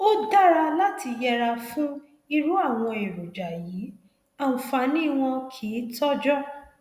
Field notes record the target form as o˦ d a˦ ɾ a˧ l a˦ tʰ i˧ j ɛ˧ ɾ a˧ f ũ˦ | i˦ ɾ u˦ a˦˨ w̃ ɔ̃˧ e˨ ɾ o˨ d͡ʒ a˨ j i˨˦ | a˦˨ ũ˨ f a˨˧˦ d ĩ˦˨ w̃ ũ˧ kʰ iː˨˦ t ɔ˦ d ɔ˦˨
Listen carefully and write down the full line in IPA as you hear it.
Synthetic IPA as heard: o˦ d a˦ ɾ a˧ l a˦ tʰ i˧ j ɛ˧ ɾ a˧ f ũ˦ | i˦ ɾ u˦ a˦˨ w̃ ɔ̃˧ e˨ ɾ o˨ d͡ʒ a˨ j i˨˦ | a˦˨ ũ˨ f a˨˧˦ n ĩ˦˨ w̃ ɔ̃˧ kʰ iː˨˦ t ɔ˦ d͡ʒ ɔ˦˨